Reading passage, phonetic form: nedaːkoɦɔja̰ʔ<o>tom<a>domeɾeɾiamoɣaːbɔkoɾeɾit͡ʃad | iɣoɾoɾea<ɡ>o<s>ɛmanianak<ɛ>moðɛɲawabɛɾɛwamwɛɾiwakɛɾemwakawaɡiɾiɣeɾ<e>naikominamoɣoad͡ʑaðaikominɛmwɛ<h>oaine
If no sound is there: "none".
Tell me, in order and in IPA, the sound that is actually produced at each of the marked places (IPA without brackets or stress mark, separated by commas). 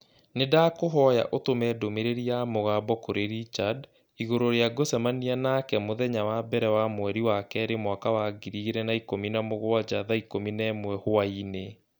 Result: o, ɛ, ɡ, s, ɛ, ɛ, h